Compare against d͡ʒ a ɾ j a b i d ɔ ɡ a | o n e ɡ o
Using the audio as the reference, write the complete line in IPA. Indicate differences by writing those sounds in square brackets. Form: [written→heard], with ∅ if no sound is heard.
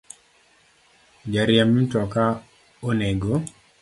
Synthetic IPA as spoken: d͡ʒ a ɾ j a [b→m] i [d→t] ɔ [ɡ→k] a | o n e ɡ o

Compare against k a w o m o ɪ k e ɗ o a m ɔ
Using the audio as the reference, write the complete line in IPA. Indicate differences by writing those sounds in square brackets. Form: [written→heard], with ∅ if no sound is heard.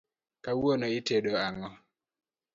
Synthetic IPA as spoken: k a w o [m→n] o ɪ [k→t] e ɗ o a [m→ŋ] ɔ

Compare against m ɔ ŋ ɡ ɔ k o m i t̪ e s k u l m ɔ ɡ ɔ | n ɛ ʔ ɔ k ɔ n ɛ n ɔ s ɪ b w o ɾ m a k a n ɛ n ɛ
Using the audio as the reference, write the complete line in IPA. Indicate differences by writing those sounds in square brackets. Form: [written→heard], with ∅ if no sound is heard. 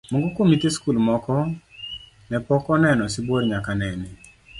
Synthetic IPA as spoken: m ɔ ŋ ɡ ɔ k o m i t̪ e s k u l m ɔ [ɡ→k] ɔ | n ɛ [ʔ→p] ɔ k ɔ n ɛ n ɔ s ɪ b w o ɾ [m→ɲ] a k a n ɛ n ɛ

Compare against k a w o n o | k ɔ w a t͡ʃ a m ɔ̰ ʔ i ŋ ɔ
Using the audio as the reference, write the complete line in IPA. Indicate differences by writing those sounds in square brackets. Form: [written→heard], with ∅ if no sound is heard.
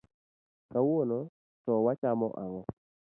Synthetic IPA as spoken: k a w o n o | [k→t] ɔ w a t͡ʃ a m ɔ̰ ʔ [i→a] ŋ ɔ

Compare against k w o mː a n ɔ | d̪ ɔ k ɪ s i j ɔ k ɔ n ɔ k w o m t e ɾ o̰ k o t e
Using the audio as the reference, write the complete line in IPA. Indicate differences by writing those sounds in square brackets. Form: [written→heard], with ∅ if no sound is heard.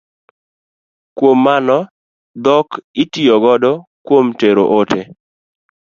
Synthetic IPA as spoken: k w o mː a n ɔ | d̪ ɔ k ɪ [s→t] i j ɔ [k→ɡ] ɔ [n→d] ɔ k w o m t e ɾ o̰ [k→ʔ] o t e

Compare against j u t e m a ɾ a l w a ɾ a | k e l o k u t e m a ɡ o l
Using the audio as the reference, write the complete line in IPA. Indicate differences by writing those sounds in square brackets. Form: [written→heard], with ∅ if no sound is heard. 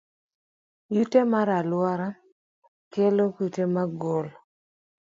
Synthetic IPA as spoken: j u t e m a ɾ a l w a ɾ a | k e l o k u t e m a ɡ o l

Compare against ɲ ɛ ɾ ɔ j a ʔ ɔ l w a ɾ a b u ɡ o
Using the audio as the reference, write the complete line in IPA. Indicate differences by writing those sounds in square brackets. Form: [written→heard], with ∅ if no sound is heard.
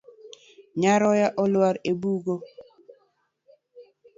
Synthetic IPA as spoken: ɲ [ɛ→a] ɾ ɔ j a ʔ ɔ l w a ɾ [a→e] b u ɡ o

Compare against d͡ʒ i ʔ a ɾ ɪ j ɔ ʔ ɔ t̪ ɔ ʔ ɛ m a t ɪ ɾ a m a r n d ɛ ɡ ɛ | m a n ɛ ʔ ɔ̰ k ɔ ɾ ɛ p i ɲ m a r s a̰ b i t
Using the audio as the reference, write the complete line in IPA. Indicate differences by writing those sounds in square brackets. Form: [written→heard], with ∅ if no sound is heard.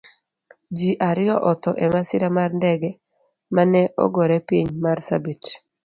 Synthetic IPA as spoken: d͡ʒ i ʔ a ɾ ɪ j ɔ ʔ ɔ t̪ ɔ ʔ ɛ m a [t→s] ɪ ɾ a m a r n d ɛ ɡ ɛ | m a n ɛ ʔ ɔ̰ [k→ɡ] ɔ ɾ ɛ p i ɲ m a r s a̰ b i t

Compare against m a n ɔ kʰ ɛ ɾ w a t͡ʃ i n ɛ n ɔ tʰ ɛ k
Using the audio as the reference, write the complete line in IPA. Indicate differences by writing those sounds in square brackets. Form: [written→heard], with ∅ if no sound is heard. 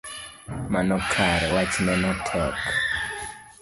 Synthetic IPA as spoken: m a n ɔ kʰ [ɛ→a] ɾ w a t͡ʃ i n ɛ n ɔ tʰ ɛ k

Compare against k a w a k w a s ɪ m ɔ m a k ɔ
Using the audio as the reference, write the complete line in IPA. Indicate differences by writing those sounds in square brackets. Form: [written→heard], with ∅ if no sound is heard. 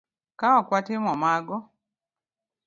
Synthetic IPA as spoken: k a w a k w a [s→t] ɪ m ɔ m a [k→ɡ] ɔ

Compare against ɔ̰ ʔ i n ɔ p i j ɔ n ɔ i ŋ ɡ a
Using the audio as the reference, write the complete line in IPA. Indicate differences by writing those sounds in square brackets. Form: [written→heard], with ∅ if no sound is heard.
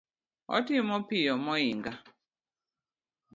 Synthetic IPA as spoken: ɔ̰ [ʔ→t] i [n→m] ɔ p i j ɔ [n→m] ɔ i ŋ ɡ a

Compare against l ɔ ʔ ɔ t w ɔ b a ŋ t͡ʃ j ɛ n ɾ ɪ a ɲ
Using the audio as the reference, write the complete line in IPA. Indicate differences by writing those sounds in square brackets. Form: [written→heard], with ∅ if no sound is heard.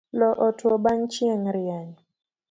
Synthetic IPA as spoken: l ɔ ʔ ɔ t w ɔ b a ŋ t͡ʃ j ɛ [n→ŋ] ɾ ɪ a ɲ

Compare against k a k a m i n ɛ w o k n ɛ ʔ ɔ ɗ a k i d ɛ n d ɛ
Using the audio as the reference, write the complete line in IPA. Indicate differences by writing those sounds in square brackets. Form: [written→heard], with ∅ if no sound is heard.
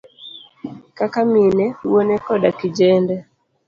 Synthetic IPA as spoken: k a k a m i n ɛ w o [k→∅] n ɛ [ʔ→k] ɔ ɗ a k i [d→d͡ʒ] ɛ n d ɛ

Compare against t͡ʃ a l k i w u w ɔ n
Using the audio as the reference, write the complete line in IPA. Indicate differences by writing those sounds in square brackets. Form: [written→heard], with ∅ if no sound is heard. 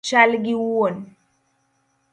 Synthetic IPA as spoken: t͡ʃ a l [k→ɡ] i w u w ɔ n

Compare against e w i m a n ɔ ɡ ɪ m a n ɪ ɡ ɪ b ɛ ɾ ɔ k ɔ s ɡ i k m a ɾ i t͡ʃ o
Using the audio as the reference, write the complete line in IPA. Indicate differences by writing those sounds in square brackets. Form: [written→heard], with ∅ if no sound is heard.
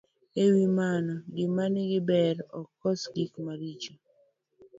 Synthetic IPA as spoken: e w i m a n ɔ ɡ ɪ m a n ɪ ɡ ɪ b ɛ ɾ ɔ k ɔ s ɡ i k m a ɾ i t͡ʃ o

